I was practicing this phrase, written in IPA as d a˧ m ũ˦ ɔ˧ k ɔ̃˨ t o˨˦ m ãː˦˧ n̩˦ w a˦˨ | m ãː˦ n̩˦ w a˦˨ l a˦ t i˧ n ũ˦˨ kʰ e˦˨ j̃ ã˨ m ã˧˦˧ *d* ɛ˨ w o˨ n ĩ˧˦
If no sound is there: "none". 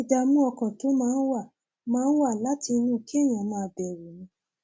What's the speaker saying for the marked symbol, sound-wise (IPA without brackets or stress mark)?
b